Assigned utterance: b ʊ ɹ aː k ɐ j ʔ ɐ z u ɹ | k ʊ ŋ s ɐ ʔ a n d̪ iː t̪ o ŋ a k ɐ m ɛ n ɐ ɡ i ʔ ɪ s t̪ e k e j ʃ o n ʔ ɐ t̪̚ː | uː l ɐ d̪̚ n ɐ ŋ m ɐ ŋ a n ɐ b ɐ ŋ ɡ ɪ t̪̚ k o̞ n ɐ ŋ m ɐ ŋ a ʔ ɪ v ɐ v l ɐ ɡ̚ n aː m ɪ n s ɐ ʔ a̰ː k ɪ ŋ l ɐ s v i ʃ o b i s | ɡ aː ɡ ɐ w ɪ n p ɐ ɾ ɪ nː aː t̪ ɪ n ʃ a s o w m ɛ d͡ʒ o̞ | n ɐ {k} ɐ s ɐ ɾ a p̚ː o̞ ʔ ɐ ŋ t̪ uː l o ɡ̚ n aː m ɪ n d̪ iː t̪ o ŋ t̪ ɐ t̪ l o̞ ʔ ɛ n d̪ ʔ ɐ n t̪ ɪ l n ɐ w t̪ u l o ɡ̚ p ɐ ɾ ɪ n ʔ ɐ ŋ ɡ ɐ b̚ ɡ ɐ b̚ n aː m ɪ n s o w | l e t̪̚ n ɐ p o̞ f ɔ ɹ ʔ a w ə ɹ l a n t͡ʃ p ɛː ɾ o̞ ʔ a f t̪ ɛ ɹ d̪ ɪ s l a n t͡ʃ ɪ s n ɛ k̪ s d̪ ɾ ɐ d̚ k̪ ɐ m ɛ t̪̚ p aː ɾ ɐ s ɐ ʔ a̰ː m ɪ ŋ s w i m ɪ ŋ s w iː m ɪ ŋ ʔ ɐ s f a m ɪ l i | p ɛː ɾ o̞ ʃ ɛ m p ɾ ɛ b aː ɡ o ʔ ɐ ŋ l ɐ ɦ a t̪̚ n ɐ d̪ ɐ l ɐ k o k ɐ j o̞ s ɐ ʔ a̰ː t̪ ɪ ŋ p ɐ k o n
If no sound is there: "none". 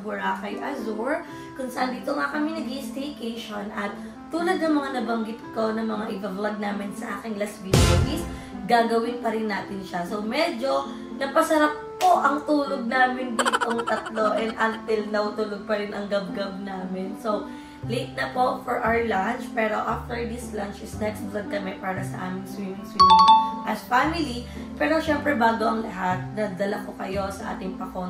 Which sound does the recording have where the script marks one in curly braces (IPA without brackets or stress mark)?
p